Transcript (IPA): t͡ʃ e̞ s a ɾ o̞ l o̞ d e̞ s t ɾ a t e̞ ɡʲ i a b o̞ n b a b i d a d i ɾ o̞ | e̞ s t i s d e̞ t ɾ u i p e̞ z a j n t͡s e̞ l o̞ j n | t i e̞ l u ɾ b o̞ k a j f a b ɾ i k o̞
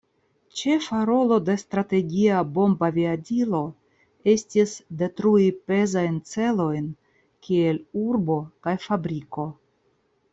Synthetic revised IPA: t͡ʃ e̞ f a ɾ o̞ l o̞ d e̞ s t ɾ a t e̞ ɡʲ i a b o̞ m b a v i a d i l o̞ | e̞ s t i s d e̞ t ɾ u i p e̞ z a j n t͡s e̞ l o̞ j n | k i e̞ l u ɾ b o̞ k a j f a b ɾ i k o̞